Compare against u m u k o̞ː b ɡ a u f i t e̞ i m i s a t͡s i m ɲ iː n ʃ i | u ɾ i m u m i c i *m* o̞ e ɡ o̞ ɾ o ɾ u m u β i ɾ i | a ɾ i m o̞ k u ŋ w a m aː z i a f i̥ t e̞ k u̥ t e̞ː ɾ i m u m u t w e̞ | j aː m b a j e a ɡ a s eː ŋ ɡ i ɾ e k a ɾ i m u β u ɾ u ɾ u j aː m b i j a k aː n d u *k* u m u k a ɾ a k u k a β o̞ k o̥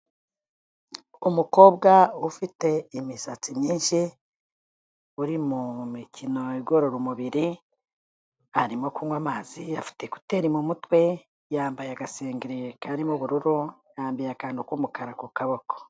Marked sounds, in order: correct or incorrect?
incorrect, correct

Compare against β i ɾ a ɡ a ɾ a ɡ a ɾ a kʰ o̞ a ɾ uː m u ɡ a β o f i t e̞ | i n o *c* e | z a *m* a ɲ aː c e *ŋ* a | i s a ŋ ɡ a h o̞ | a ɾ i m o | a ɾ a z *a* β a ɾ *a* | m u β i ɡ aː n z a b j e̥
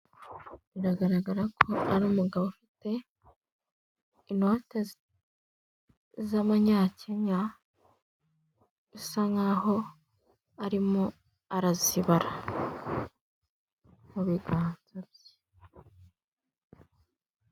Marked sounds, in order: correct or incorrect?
incorrect, correct, incorrect, incorrect, correct

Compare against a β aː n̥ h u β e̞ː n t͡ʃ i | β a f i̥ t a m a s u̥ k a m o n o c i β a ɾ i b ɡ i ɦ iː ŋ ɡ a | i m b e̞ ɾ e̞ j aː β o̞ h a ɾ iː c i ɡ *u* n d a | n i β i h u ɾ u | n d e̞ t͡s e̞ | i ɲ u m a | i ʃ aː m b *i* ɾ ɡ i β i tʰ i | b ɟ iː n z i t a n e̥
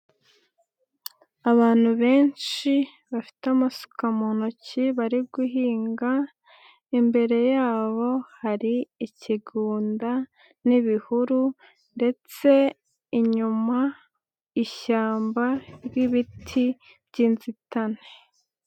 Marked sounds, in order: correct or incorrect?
incorrect, incorrect

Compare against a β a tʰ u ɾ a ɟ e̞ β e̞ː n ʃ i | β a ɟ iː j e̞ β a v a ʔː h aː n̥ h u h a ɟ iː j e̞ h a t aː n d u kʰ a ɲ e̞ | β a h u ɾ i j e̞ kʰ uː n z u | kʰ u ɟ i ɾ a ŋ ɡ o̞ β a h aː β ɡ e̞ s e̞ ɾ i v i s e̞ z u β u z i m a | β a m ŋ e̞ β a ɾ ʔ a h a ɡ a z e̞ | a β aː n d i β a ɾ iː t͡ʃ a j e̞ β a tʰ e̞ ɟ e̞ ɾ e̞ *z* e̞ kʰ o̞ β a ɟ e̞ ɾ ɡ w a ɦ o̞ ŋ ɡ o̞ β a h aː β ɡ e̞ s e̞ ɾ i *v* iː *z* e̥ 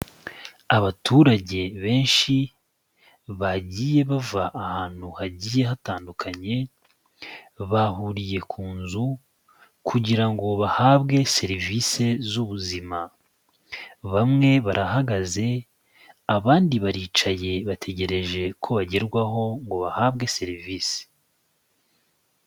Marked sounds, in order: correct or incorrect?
incorrect, correct, incorrect

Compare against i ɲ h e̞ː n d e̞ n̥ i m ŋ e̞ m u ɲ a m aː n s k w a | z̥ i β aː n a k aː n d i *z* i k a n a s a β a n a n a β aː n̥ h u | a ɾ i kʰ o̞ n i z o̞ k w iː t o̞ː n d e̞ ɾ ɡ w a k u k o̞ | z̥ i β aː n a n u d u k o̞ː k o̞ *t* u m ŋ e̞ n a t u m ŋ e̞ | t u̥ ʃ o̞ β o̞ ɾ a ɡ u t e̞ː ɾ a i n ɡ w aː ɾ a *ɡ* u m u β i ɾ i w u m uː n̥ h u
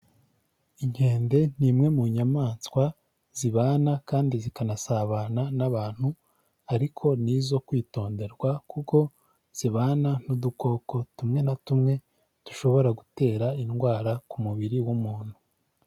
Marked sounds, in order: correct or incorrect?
correct, correct, incorrect

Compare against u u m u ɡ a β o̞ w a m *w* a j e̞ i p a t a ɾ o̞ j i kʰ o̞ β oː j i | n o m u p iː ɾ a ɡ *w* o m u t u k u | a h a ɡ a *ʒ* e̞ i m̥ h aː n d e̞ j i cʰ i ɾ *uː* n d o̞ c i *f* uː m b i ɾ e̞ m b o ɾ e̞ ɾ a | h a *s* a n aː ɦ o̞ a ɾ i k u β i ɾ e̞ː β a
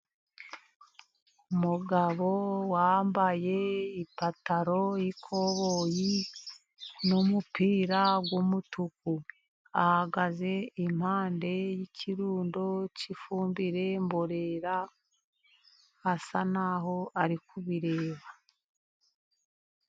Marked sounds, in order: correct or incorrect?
incorrect, correct, incorrect, correct, correct, correct

